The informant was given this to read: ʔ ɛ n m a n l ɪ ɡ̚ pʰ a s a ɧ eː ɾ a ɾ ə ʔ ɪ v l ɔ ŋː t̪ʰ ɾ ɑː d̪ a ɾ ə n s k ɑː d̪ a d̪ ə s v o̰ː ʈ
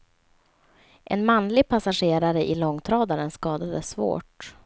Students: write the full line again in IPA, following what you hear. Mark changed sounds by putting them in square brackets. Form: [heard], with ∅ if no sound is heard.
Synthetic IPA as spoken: ʔ ɛ n m a n l ɪ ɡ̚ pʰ a s a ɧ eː ɾ a ɾ ə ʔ ɪ [∅] l ɔ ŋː t̪ʰ ɾ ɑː d̪ a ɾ ə n s k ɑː d̪ a d̪ ə s v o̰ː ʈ